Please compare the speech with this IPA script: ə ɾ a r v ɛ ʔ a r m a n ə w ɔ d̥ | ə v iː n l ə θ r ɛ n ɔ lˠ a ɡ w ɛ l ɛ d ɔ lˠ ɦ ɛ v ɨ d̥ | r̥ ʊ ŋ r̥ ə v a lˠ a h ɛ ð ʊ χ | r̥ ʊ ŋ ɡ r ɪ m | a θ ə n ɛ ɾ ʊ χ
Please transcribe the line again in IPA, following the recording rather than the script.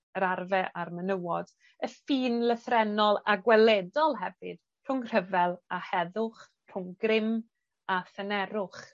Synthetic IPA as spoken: ə ɾ a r v ɛ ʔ a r m ə n ə w ɔ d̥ | ə f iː n l ə θ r ɛ n ɔ lˠ a ɡ w ɛ l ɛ d ɔ lˠ ɦ ɛ v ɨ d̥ | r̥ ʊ ŋ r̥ ə v ɛ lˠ a h ɛ ð ʊ χ | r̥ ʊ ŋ ɡ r ɪ m | a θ ə n ɛ ɾ ʊ χ

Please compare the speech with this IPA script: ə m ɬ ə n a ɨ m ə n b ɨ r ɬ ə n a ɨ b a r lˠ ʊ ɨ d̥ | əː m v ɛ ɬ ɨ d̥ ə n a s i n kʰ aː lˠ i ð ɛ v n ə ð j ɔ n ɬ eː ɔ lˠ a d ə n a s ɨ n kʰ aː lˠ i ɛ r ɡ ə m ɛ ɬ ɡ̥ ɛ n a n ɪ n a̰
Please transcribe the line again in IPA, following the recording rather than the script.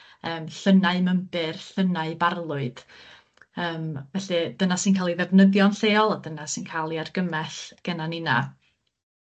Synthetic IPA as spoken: əː m ɬ ə n a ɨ m ə m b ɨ r ɬ ə n a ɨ b a r lˠ ʊ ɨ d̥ | əː m v ɛ ɬ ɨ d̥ ə n a s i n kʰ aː lˠ i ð ɛ v n ə ð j ɔ n ɬ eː ɔ lˠ a d ə n a s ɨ n kʰ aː lˠ i a r ɡ ə m ɛ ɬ ɡ̥ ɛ n a n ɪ n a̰

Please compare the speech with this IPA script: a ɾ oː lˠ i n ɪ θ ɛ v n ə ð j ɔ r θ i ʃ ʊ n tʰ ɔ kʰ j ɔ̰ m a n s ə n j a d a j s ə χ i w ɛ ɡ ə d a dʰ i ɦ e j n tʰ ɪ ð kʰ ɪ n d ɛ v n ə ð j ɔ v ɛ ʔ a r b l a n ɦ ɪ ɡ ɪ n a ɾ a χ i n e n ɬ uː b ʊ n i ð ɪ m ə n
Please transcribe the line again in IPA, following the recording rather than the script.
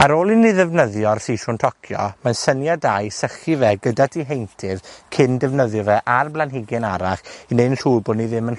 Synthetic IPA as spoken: a ɾ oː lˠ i n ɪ ð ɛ v n ə ð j ɔ r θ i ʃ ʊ n tʰ ɔ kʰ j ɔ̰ m a n s ə n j a d a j s ə χ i v ɛ ɡ ə d a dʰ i ɦ e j n tʰ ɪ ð kʰ ɪ n d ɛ v n ə ð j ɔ v ɛ ʔ a r b l a n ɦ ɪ ɡ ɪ n a ɾ a χ i n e n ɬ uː b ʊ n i ð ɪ m ə n

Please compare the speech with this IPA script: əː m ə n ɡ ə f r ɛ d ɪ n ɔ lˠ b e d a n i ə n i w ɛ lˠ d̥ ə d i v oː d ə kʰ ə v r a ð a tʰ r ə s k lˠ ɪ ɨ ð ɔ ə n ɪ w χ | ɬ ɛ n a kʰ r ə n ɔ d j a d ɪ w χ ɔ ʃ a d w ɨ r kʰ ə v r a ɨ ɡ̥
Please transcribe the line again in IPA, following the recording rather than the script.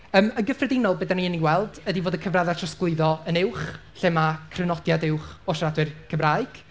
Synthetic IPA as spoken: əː m ə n ɡ ə f r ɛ d ɪ n ɔ lˠ b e d a n i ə n i w ɛ lˠ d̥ ə d i v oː d ə kʰ ə v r a ð a tʰ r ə s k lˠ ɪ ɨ ð ɔ ə n ɪ w χ | ɬ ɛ m a kʰ r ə n ɔ d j a d ɪ w χ ɔ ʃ a d w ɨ r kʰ ə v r a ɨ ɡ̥

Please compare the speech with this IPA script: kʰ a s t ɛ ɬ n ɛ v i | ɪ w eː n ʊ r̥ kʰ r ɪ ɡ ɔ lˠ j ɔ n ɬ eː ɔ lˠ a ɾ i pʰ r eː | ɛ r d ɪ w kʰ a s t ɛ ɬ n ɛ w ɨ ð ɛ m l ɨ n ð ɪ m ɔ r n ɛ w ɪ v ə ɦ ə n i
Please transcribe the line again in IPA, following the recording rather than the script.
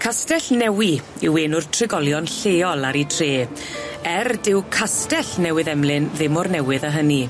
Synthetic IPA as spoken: kʰ a s t ɛ ɬ n ɛ w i | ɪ w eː n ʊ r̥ tʰ r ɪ ɡ ɔ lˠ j ɔ n ɬ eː ɔ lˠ a ɾ i tʰ r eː | ɛ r d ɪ w kʰ a s t ɛ ɬ n ɛ w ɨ ð ɛ m l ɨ n ð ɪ m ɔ r n ɛ w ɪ ð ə ɦ ə n i

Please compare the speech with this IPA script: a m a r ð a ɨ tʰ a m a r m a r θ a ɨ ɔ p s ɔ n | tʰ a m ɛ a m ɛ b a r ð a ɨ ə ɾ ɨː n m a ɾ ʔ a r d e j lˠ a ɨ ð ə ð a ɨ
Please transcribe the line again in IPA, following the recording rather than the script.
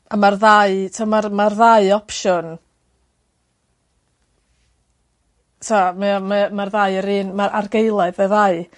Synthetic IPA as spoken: a m a r ð a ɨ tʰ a m a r m a r ð a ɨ ɔ p ʃ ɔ n | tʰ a m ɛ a m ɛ m a r ð a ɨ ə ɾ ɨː n m a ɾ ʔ a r ɡ e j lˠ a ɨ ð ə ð a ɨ

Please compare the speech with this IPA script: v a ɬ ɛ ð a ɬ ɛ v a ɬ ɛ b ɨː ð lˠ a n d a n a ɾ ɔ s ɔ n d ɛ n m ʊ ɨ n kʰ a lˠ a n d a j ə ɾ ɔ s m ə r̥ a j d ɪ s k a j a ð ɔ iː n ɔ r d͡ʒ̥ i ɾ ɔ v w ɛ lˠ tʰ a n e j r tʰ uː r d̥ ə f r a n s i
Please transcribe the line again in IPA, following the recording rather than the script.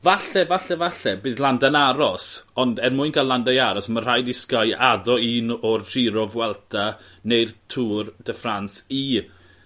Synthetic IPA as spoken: v a ɬ ɛ v a ɬ ɛ v a ɬ ɛ b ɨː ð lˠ a n d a n a ɾ ɔ s ɔ n d ɛ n m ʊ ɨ n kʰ a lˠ a n d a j a ɾ ɔ s m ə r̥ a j d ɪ s k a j a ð ɔ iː n ɔ r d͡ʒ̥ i ɾ ɔ v w ɛ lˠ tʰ a n e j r tʰ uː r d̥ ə f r a n s i

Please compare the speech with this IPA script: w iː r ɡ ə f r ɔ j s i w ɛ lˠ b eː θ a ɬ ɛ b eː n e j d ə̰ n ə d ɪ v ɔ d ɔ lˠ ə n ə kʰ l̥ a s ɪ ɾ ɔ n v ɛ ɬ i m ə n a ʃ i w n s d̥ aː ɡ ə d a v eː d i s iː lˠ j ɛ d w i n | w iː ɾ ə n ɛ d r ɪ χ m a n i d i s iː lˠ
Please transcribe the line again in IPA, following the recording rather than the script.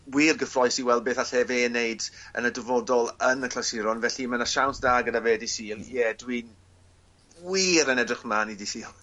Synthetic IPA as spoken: w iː r ɡ ə f r ɔ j s i w ɛ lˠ b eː θ a ɬ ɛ v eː n e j d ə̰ n ə d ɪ v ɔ d ɔ lˠ ə n ə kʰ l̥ a s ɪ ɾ ɔ n v ɛ ɬ i m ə n a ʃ a w n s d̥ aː ɡ ə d a v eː d i s iː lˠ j ɛ d w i n | w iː ɾ ə n ɛ d r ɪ χ m a n i d i s iː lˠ

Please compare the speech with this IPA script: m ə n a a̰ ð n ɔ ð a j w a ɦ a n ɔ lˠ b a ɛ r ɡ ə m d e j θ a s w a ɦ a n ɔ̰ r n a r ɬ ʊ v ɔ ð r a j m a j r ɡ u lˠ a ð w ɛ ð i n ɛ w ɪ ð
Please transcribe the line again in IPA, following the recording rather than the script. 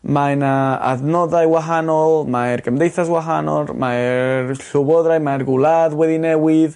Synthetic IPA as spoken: m a n a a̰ ð n ɔ ð a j w a ɦ a n ɔ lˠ m a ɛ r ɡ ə m d e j θ a s w a ɦ a n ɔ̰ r m a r ɬ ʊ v ɔ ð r a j m a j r ɡ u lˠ a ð w ɛ ð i n ɛ w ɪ ð

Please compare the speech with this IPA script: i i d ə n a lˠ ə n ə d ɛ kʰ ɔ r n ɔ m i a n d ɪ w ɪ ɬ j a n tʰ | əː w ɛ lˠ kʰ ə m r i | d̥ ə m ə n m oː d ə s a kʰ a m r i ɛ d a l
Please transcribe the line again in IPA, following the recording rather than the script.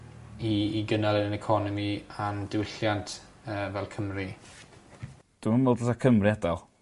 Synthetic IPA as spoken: i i ɡ ə n a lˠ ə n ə n ɛ kʰ ɔ n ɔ m i a n d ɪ w ɪ ɬ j a n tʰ | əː v ɛ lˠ kʰ ə m r i | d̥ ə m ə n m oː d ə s a kʰ ə m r i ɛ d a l

